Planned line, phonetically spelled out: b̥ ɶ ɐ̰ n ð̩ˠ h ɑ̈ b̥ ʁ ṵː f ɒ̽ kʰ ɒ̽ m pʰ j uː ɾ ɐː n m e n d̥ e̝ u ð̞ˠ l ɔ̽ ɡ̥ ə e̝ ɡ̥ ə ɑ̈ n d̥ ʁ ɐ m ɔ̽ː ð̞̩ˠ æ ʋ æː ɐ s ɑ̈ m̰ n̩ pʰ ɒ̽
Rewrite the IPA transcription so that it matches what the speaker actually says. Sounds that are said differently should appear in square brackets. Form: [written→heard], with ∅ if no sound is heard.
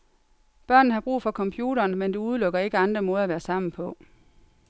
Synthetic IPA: b̥ ɶ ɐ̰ n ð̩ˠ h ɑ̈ b̥ ʁ ṵː f ɒ̽ kʰ ɒ̽ m pʰ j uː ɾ ɐː n m e n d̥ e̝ u ð̞ˠ l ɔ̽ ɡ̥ [ə→ɐ] e̝ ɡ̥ ə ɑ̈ n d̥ ʁ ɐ m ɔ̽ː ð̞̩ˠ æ ʋ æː ɐ s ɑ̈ m̰ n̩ pʰ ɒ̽